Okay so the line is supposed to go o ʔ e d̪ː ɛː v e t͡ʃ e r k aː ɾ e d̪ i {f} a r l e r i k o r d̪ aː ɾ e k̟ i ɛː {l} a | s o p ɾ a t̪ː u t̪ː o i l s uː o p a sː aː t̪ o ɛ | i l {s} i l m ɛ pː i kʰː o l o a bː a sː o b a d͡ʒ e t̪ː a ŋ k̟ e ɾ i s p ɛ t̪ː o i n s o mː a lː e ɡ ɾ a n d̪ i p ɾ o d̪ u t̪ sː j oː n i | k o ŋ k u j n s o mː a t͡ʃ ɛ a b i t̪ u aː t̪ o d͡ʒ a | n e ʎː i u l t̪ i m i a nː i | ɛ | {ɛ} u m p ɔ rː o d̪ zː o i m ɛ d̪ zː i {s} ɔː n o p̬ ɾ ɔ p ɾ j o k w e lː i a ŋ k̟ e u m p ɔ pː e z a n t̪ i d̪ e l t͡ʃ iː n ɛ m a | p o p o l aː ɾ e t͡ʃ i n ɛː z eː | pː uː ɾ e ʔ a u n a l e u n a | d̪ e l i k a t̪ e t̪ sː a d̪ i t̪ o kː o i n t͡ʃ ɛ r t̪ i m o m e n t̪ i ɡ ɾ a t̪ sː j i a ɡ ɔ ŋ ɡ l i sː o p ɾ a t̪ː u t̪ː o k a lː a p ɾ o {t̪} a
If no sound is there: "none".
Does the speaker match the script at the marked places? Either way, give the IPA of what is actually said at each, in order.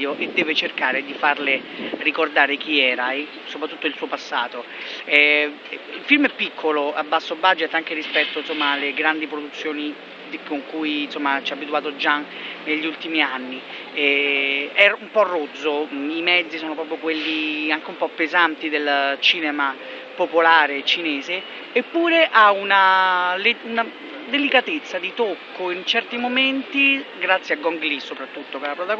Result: f, ɾ, f, ɛ, s, t̪

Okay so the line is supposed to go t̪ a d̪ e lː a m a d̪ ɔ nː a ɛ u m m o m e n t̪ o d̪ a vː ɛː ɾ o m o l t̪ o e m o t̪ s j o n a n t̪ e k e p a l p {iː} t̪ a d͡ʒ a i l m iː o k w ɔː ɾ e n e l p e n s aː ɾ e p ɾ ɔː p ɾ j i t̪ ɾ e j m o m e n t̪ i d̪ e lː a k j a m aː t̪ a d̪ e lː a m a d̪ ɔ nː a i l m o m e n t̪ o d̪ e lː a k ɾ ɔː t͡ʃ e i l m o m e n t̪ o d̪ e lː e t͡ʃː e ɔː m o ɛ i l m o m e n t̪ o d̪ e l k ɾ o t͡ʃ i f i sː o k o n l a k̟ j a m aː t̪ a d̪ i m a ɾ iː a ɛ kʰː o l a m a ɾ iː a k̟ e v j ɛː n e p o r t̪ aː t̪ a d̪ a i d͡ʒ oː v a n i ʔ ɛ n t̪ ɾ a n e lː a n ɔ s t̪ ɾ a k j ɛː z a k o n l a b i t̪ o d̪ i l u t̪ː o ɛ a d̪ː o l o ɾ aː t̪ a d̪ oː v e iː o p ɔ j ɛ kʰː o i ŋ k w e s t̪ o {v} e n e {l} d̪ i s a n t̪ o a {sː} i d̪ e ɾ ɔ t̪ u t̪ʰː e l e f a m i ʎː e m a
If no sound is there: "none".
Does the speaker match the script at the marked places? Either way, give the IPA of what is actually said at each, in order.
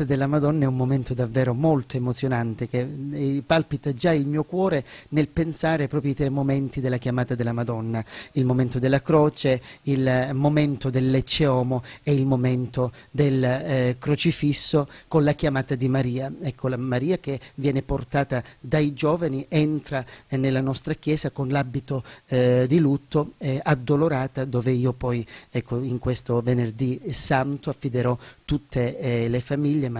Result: i, v, r, fː

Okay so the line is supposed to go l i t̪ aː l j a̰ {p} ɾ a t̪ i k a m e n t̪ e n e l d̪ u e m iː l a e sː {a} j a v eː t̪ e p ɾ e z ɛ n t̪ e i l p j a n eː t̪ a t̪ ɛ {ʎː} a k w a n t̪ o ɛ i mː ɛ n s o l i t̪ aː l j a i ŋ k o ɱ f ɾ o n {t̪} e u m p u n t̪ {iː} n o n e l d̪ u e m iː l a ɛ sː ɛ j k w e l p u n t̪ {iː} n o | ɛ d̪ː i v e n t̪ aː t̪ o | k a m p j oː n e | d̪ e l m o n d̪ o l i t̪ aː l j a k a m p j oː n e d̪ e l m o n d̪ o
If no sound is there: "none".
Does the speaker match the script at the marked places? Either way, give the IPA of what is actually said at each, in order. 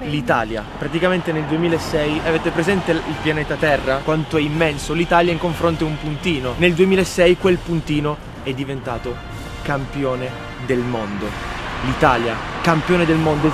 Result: p, ɛ, rː, t̪, iː, iː

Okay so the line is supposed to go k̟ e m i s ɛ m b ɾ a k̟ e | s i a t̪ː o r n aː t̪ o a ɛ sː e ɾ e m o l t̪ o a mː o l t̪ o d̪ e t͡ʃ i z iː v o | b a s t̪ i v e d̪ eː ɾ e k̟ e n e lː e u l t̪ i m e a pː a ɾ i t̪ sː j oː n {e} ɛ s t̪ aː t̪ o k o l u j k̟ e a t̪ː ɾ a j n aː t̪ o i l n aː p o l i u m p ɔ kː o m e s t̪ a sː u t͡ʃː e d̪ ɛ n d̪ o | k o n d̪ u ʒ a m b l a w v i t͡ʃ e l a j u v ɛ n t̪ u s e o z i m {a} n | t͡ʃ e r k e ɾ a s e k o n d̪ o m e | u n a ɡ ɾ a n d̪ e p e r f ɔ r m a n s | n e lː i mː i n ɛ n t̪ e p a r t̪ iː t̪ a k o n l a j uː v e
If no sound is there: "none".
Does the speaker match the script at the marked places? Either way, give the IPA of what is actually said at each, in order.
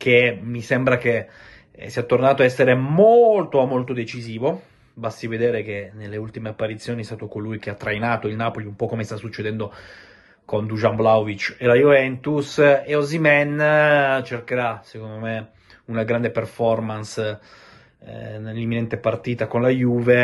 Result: i, ɛ

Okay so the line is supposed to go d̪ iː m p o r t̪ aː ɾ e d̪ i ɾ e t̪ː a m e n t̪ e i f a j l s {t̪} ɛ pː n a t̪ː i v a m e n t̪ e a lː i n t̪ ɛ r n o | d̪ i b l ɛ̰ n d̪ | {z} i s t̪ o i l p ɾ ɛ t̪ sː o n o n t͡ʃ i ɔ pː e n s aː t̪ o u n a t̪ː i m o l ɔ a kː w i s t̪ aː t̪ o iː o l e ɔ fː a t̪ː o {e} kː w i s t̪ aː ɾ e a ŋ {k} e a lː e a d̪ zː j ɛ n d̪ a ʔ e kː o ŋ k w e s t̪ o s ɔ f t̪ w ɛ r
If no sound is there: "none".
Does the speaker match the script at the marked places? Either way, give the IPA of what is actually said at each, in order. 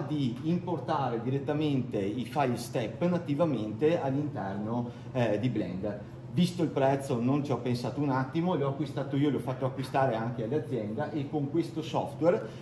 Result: t̪, v, a, k

